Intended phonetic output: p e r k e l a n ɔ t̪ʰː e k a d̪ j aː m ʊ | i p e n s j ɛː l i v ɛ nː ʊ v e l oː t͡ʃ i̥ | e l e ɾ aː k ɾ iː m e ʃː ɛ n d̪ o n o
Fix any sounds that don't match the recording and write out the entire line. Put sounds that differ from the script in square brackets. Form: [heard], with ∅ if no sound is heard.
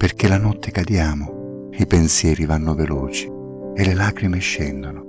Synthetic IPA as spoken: p e r k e l a n ɔ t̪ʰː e k a d̪ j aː m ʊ | i p e n s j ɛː [ɾ] i v [a] nː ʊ v e l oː t͡ʃ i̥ | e l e [l] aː k ɾ [i] m e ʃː ɛ n d̪ o n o